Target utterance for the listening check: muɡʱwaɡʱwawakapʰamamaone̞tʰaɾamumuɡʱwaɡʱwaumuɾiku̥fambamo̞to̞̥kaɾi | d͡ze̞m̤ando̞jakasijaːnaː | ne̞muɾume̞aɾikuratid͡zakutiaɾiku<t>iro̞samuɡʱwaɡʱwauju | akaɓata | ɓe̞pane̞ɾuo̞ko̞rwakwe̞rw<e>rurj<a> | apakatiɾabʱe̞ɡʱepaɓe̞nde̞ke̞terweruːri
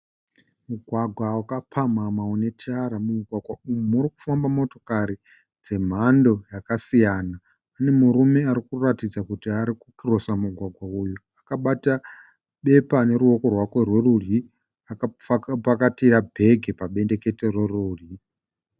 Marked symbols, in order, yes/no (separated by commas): no, yes, no